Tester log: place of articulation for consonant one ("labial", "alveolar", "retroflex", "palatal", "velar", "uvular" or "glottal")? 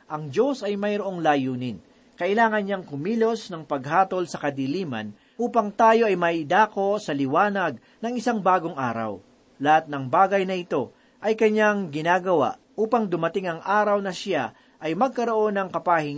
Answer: glottal